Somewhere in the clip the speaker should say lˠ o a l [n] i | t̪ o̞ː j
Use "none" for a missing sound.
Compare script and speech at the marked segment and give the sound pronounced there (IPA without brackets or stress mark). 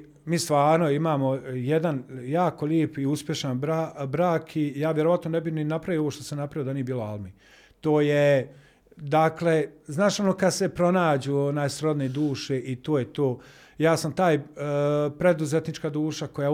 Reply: m